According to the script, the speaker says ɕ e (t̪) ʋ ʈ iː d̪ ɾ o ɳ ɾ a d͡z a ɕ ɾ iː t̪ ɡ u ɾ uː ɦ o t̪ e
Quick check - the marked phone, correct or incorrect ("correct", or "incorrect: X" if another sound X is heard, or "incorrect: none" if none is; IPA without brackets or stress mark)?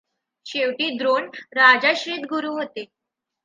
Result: incorrect: none